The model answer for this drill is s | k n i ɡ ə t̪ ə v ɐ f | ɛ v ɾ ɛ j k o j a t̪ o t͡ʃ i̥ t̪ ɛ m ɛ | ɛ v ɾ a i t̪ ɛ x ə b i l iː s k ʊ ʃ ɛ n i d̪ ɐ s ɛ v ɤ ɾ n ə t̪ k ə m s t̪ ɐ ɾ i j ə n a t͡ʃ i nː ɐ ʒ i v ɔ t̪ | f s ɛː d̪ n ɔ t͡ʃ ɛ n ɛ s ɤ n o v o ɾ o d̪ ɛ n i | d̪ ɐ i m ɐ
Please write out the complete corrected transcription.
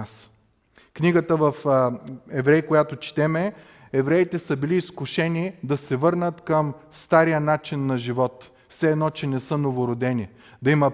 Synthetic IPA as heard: s | k n i ɡ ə t̪ ə v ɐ f | ɛ v ɾ ɛ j k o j a t̪ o t͡ʃ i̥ t̪ ɛ m ɛ | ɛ v ɾ ɛ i t̪ ɛ s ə b i l iː s k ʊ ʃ ɛ n i d̪ ɐ s ɛ v ɤ ɾ n ə t̪ k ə m s t̪ a ɾ i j ə n a t͡ʃ i nː ɐ ʒ i v ɔ t̪ | f s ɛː d̪ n ɔ t͡ʃ ɛ n ɛ s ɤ n o v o ɾ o d̪ ɛ n i | d̪ ɐ i m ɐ